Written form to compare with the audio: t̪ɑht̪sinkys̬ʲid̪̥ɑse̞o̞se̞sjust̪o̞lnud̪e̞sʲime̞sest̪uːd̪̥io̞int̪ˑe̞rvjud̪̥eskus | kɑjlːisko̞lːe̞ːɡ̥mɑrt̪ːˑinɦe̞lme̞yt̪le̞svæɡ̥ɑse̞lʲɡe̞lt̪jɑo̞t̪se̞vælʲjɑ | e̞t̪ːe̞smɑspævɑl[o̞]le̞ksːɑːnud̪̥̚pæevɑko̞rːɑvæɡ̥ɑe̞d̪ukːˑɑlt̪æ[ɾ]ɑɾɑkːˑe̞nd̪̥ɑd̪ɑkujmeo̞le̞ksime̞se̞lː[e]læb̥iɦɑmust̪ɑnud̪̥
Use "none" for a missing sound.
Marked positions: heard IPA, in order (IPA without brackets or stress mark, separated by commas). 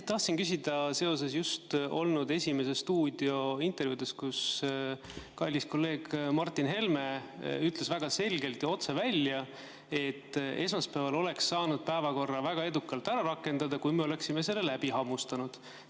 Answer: o̞, ɾ, e